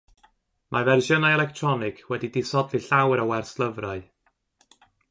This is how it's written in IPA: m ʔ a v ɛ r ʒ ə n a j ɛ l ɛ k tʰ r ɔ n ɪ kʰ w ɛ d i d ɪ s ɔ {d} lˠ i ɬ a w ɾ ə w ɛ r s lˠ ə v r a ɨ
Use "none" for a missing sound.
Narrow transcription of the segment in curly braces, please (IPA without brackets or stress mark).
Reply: d